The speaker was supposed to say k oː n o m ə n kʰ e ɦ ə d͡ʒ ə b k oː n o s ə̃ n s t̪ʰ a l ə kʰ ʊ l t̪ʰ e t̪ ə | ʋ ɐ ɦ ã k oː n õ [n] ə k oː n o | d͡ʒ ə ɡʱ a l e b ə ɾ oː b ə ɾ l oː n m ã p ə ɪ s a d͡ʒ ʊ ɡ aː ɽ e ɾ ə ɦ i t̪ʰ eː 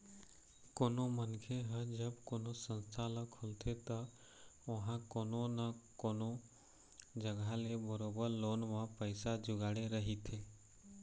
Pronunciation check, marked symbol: correct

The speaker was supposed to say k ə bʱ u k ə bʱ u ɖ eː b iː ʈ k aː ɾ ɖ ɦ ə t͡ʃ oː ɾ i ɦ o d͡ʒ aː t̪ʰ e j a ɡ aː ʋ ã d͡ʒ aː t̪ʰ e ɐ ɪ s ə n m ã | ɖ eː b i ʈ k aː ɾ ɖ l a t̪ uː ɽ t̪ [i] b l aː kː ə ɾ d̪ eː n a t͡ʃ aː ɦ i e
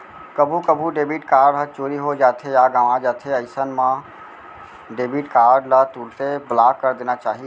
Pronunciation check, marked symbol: incorrect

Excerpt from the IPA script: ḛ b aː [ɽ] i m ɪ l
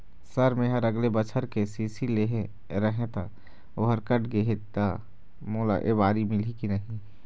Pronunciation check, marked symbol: incorrect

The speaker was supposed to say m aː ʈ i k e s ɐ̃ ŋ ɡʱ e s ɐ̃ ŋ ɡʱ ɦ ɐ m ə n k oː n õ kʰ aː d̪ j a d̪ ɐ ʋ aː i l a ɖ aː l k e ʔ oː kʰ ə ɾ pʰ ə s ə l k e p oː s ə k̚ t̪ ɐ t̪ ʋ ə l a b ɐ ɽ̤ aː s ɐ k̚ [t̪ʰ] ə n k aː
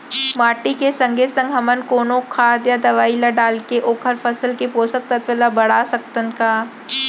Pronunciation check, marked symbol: incorrect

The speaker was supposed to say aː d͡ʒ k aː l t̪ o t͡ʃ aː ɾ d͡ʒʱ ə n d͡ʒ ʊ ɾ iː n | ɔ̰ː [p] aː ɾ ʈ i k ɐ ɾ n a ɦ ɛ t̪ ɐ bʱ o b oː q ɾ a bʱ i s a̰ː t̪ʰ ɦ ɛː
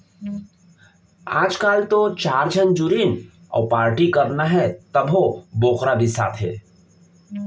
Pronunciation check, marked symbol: correct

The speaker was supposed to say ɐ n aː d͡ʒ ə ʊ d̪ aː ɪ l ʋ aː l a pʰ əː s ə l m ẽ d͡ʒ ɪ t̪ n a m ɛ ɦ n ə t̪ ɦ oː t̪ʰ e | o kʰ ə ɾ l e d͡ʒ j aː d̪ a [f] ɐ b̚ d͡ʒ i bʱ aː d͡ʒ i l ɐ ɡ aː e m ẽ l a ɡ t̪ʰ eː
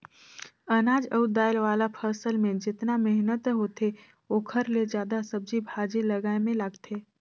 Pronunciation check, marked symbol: incorrect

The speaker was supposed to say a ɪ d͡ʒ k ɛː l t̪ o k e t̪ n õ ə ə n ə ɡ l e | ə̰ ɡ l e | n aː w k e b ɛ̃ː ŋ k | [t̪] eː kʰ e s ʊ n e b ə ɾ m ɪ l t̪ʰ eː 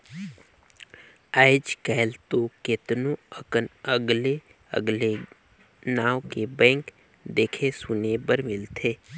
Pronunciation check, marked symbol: incorrect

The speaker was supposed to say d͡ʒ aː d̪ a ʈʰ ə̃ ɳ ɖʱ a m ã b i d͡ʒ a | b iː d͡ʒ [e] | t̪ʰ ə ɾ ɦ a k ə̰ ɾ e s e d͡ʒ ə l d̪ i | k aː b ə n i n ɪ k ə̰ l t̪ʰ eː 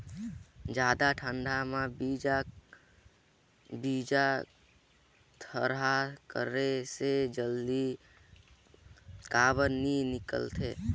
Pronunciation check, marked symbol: incorrect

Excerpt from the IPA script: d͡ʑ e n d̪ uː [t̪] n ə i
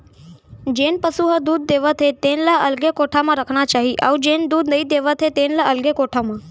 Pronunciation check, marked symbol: incorrect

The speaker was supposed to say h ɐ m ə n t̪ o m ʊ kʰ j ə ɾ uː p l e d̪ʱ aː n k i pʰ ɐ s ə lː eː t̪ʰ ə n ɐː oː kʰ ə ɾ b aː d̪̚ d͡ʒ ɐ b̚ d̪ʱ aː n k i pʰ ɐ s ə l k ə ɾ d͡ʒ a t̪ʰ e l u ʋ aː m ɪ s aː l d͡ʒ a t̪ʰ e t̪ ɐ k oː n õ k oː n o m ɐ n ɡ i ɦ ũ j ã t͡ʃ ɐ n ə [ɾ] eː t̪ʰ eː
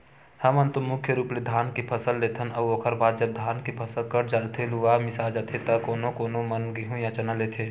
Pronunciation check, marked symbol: incorrect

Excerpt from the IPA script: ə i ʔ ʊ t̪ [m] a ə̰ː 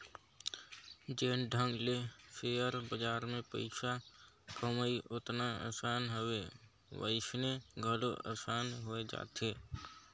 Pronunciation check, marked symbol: incorrect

